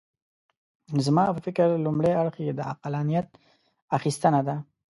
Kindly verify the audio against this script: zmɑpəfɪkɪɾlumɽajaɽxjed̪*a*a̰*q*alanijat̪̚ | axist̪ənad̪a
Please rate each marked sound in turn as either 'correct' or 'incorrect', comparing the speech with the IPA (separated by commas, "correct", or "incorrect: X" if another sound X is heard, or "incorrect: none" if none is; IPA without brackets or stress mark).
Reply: incorrect: ə, correct